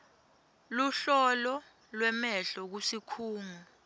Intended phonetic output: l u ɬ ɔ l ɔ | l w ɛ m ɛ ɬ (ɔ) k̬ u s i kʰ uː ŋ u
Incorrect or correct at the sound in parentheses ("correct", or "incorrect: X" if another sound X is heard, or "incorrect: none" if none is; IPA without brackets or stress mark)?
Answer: correct